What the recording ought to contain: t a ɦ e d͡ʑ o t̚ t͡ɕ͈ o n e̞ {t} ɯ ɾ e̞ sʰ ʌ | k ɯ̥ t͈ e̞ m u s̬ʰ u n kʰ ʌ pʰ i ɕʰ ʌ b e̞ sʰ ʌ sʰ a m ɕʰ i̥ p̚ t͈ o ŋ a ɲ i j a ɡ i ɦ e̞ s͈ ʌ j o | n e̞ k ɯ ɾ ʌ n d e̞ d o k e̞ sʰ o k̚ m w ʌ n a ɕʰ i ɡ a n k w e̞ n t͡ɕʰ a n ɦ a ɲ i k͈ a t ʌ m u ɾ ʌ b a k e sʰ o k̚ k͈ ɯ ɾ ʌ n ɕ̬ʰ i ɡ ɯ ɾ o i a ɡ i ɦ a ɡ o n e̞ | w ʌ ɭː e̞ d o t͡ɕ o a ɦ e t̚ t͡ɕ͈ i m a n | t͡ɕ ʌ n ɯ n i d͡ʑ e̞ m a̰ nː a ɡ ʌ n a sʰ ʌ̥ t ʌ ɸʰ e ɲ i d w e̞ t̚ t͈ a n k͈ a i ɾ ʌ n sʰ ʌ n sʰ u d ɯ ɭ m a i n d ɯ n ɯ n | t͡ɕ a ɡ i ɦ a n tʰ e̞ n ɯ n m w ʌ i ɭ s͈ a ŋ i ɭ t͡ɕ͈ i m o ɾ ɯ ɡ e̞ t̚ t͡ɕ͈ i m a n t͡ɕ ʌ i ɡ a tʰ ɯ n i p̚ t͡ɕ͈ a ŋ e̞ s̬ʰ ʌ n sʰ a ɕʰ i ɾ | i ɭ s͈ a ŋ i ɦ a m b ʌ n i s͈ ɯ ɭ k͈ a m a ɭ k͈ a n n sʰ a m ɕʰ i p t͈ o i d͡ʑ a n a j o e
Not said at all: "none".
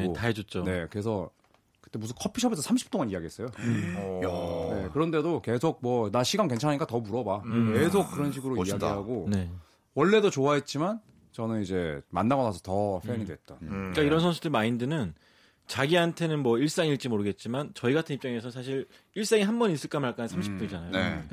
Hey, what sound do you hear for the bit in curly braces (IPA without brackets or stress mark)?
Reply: k